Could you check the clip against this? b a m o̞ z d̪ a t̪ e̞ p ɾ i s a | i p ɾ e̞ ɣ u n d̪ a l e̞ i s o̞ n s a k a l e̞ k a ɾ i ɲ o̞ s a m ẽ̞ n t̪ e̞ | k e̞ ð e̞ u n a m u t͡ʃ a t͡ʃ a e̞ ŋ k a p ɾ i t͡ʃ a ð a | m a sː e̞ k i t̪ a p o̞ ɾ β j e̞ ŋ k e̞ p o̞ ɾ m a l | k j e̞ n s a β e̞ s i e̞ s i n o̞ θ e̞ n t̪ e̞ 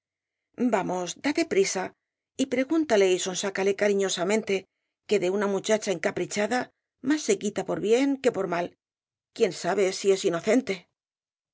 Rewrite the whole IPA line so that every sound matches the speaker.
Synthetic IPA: b a m o̞ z d̪ a t̪ e̞ p ɾ i s a | i p ɾ e̞ ɣ u n t̪ a l e̞ i s o̞ n s a k a l e̞ k a ɾ i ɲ o̞ s a m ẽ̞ n t̪ e̞ | k e̞ ð e̞ u n a m u t͡ʃ a t͡ʃ a e̞ ŋ k a p ɾ i t͡ʃ a ð a | m a sː e̞ k i t̪ a p o̞ ɾ β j e̞ ŋ k e̞ p o̞ ɾ m a l | k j e̞ n s a β e̞ s i e̞ s i n o̞ θ e̞ n t̪ e̞